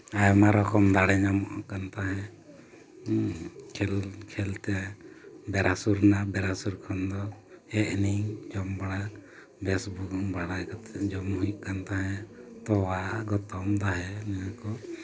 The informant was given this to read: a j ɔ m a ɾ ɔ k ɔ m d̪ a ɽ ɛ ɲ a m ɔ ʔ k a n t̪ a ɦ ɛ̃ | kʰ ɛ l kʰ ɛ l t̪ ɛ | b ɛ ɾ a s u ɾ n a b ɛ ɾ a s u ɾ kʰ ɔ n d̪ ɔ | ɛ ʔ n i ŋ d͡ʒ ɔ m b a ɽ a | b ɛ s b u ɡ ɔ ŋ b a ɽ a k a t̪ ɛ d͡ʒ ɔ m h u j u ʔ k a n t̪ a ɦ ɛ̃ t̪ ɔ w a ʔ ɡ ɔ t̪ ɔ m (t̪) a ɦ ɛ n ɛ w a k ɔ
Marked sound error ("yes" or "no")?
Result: yes